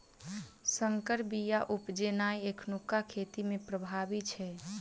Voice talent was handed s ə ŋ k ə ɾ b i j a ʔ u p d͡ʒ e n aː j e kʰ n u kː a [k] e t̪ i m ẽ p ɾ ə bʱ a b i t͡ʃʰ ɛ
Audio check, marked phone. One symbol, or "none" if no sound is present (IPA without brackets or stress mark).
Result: kʰ